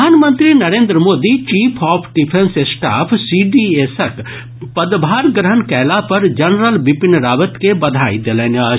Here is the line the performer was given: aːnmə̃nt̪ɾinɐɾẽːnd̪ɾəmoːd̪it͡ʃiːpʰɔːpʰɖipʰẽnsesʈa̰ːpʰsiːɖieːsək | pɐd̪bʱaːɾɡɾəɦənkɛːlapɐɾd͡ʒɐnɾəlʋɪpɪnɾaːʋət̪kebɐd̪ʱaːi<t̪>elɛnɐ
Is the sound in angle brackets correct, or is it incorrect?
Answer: incorrect